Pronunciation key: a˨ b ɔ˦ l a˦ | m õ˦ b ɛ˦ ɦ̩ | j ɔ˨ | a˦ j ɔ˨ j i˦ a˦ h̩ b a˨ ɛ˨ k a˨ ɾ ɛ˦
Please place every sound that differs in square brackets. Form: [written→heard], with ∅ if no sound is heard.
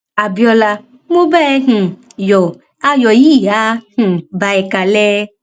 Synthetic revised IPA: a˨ b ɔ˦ l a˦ | m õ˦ b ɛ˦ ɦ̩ | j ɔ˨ | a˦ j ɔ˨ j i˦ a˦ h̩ b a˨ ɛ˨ k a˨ [ɾ→l] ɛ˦